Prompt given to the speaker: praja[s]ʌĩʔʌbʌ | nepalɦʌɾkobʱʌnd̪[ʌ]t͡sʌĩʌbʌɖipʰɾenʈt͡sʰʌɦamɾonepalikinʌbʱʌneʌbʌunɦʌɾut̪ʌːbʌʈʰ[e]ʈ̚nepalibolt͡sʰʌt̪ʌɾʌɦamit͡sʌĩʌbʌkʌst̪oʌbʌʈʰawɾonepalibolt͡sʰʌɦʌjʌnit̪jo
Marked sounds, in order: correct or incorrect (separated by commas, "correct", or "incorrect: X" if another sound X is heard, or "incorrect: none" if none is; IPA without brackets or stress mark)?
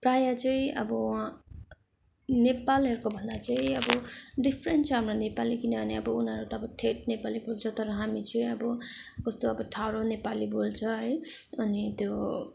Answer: incorrect: t͡s, incorrect: a, correct